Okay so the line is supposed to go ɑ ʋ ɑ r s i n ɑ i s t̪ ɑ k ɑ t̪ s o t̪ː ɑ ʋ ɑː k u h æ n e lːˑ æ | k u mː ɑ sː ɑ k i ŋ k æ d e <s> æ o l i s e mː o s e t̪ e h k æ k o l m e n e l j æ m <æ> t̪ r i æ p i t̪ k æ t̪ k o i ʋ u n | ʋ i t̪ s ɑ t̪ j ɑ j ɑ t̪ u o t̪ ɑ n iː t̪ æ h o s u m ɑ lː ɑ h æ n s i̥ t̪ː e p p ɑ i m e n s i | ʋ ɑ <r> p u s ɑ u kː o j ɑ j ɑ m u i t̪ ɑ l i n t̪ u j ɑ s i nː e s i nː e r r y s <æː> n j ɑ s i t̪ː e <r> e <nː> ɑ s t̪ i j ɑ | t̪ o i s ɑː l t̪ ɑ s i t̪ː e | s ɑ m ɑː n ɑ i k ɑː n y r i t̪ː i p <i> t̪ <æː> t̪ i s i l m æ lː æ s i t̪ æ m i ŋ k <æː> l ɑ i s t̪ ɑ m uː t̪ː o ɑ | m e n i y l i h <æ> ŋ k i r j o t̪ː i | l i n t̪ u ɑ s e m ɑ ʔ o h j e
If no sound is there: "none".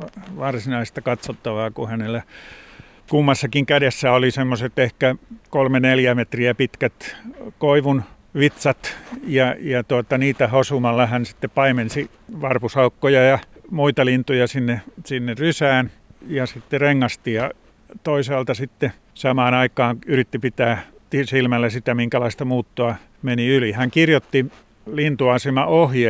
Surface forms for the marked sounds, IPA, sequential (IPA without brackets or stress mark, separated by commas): sː, e, r, æː, r, ŋː, i, æː, æ, æ